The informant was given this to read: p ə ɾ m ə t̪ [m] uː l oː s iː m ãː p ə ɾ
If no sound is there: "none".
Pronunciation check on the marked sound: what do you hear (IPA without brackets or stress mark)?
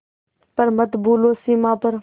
b